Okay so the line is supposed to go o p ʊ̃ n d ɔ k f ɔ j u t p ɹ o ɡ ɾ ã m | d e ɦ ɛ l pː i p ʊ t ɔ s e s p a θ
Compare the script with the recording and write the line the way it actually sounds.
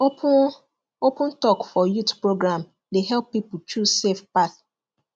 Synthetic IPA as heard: o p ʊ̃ n t ɔ k f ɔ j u t p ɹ o ɡ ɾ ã m | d e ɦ ɛ l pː i p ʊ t u s e f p a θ